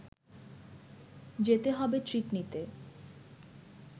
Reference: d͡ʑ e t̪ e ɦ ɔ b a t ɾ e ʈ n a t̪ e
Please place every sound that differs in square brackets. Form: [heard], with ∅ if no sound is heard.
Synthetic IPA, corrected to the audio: d͡ʑ e t̪ e ɦ ɔ b [e] t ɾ [i] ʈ n [i] t̪ e